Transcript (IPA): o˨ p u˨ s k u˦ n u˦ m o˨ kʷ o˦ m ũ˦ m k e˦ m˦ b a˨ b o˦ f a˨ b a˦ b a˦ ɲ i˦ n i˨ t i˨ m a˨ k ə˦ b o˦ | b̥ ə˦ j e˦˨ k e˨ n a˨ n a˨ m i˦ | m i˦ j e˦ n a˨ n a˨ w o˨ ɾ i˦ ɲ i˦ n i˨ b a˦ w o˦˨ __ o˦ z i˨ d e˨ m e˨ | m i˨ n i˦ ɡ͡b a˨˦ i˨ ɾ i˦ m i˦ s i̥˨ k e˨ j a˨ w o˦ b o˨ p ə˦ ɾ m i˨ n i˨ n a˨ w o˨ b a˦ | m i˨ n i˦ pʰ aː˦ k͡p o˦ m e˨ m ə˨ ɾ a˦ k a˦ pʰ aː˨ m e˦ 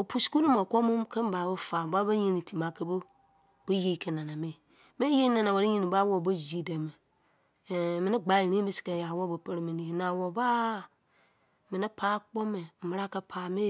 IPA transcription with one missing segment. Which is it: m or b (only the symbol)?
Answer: b